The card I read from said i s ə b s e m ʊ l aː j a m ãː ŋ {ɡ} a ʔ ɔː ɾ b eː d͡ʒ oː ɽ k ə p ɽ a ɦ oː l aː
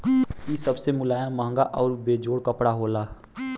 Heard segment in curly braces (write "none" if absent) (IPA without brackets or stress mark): ɡ